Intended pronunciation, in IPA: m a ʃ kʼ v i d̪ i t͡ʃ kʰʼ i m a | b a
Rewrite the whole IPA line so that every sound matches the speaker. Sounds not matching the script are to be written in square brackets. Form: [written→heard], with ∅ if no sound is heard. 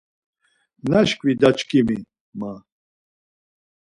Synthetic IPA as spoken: [m→n] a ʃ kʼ v i d̪ [i→a] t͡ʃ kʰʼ i m [a→i] | [b→m] a